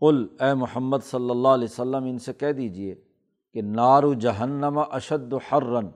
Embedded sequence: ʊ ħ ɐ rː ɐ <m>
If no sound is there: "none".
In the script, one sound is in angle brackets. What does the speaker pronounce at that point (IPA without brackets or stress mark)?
n